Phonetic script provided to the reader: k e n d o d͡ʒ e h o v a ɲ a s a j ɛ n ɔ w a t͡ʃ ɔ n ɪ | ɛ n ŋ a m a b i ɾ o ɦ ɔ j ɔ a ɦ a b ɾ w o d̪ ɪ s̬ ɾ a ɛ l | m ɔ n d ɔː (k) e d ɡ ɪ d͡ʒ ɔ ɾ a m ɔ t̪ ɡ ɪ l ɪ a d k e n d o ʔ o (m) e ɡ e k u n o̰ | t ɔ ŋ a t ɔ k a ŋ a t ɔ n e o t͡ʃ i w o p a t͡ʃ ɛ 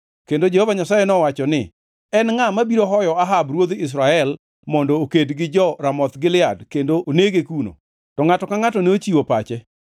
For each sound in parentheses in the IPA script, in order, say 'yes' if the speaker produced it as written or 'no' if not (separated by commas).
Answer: yes, no